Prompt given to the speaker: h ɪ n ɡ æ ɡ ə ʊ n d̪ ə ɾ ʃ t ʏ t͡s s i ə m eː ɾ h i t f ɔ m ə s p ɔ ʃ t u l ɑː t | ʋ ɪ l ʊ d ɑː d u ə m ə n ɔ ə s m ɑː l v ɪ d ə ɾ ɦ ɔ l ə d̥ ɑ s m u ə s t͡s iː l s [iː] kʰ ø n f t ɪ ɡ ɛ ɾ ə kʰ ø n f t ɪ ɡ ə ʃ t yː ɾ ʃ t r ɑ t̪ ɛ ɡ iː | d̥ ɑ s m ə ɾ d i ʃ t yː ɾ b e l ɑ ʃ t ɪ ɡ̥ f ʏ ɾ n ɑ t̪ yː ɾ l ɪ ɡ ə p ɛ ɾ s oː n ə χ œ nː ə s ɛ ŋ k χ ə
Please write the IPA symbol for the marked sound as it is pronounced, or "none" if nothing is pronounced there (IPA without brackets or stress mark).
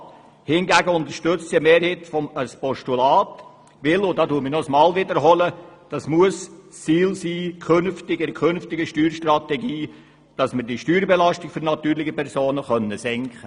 iː